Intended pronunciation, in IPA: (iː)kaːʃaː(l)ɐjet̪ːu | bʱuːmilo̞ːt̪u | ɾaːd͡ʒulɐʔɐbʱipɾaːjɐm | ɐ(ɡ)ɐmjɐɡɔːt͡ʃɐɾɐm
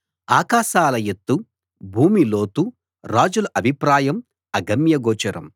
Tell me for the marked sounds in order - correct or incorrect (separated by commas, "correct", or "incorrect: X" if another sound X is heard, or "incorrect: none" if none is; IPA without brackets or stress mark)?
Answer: incorrect: aː, correct, correct